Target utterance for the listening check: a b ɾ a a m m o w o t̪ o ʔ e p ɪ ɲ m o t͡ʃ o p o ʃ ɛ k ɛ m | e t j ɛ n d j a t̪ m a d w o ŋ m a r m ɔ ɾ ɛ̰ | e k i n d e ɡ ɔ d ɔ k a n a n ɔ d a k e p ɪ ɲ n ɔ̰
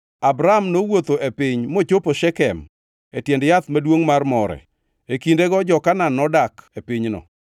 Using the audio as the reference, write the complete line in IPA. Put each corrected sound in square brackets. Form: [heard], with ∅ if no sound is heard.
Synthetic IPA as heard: a b ɾ a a m [n] o w o t̪ o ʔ e p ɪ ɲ m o t͡ʃ o p o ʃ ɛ k ɛ m | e t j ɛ n d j a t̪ m a d w o ŋ m a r m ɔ ɾ ɛ̰ | e k i n d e ɡ ɔ [d͡ʒ] ɔ k a n a n ɔ d a k e p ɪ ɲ n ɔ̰